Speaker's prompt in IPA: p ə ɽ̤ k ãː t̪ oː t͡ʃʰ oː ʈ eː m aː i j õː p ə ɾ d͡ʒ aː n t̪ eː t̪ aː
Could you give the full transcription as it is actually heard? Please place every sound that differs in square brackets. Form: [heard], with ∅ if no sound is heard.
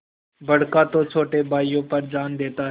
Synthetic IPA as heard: [b] ə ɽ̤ k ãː t̪ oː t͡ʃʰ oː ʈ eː [b] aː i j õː p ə ɾ d͡ʒ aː n [d̪] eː t̪ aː